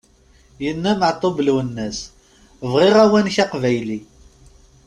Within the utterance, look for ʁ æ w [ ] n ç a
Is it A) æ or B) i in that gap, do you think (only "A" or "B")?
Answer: A